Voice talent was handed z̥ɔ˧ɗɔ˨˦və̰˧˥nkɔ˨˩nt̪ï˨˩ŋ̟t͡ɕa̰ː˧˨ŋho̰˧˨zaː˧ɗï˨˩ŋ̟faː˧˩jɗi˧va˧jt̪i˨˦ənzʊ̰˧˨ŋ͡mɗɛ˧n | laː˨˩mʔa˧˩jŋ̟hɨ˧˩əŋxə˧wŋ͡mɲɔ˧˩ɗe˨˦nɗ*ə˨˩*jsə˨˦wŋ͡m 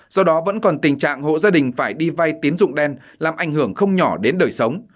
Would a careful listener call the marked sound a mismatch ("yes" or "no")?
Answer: yes